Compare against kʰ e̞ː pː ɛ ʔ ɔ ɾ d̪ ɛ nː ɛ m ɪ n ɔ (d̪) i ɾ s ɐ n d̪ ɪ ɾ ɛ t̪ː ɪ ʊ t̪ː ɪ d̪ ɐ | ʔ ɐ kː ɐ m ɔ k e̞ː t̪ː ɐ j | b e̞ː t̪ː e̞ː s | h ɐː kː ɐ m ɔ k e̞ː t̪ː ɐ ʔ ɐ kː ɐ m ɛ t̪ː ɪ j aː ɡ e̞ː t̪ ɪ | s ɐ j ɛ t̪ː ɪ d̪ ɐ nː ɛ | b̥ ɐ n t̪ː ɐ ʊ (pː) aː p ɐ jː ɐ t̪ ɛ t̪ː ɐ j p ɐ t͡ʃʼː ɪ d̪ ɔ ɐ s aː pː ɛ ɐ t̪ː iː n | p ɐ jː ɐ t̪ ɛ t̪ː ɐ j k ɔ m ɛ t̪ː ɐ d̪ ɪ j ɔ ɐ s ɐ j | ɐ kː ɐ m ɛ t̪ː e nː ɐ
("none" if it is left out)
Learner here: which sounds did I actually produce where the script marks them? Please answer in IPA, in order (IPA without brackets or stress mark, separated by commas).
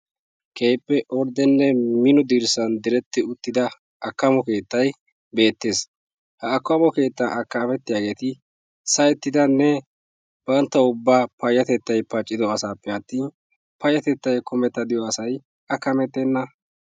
d̪, bː